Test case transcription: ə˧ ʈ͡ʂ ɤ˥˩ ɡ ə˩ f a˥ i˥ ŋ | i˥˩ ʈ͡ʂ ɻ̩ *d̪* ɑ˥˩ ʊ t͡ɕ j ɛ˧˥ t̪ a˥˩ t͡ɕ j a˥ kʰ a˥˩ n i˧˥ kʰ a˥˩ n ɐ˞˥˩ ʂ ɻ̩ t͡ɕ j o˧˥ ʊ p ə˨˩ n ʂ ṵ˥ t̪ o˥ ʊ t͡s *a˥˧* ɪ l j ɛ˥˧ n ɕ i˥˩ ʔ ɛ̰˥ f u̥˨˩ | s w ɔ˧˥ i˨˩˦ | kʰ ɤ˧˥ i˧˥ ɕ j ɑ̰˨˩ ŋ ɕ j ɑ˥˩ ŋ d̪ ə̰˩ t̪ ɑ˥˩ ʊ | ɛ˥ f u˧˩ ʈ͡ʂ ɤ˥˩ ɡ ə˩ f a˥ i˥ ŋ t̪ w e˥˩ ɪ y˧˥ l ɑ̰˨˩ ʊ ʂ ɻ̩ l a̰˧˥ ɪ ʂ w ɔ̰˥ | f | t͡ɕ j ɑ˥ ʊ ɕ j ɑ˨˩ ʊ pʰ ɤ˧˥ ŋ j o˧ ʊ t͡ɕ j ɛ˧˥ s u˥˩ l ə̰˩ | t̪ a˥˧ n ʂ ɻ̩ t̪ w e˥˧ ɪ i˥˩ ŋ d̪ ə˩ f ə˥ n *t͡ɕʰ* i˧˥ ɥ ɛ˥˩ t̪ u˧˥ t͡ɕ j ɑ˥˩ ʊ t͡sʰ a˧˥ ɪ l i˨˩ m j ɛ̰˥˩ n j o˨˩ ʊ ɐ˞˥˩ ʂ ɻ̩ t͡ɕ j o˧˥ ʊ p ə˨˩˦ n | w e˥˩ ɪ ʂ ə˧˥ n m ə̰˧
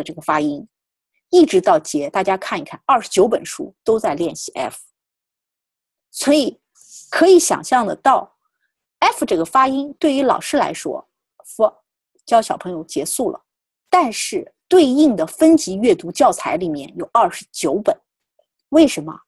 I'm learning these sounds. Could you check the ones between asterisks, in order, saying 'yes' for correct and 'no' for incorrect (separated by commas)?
no, yes, no